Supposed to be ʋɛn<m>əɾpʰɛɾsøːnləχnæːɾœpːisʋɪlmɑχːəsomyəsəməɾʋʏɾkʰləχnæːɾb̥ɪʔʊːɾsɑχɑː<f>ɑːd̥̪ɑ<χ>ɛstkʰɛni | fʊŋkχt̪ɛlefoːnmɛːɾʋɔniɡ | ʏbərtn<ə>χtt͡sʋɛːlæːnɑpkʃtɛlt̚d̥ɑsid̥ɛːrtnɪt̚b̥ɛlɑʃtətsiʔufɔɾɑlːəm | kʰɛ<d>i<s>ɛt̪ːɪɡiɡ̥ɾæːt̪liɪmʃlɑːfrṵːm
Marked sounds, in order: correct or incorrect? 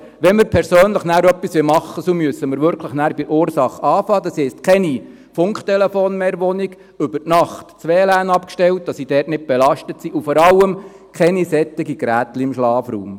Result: correct, correct, incorrect: s, incorrect: ɑ, incorrect: n, correct

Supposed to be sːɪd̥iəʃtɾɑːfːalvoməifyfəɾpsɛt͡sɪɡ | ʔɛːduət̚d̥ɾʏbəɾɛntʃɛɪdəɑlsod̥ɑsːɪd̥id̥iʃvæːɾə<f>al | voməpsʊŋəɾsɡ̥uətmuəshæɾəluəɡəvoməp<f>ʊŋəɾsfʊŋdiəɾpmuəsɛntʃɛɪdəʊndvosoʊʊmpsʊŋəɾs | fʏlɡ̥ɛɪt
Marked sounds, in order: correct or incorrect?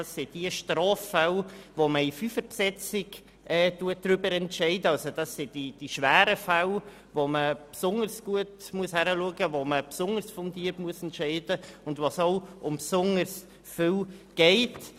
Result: correct, incorrect: s

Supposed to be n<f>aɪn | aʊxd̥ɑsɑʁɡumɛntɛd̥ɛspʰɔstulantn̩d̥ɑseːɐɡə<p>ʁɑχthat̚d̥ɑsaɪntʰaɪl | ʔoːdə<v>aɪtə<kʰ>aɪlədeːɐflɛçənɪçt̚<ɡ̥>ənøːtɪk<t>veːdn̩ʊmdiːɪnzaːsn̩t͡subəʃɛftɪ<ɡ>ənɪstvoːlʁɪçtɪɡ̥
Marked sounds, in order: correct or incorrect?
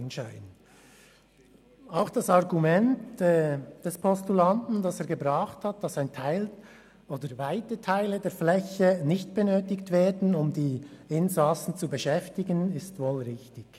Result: incorrect: ʃ, incorrect: b, correct, incorrect: tʰ, incorrect: b̥, correct, correct

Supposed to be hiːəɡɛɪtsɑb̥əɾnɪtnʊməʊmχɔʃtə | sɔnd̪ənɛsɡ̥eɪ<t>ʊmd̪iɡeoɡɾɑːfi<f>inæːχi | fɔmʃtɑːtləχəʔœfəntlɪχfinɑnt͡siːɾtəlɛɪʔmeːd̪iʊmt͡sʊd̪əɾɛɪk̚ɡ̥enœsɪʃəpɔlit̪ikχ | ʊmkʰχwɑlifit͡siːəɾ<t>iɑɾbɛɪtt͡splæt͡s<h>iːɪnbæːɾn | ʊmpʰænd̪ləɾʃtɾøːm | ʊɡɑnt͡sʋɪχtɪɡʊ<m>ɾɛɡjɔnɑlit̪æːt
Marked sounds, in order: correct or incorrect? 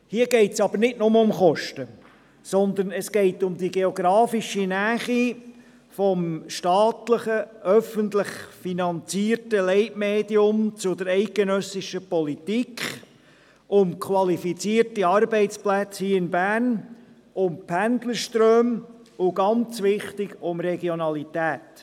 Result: correct, incorrect: ʃ, correct, correct, correct

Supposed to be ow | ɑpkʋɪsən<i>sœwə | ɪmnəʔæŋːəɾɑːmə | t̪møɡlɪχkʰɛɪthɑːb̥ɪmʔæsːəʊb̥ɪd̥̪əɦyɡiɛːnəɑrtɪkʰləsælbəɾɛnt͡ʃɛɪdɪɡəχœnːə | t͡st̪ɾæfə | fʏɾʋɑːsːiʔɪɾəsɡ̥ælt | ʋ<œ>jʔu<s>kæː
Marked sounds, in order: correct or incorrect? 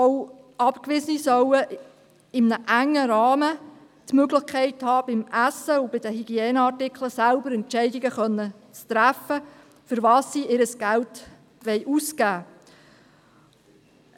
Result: correct, incorrect: ɛ, correct

